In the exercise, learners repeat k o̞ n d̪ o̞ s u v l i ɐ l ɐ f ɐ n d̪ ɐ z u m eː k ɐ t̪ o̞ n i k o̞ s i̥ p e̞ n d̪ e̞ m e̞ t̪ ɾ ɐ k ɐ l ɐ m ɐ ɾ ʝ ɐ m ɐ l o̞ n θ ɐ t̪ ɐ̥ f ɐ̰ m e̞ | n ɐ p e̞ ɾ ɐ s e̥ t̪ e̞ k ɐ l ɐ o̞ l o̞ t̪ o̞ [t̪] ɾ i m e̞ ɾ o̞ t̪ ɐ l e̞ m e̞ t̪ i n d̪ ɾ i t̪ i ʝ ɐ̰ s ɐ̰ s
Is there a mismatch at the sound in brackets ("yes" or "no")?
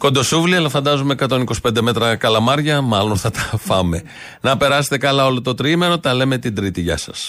no